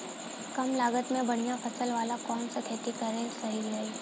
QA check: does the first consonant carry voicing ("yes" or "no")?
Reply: no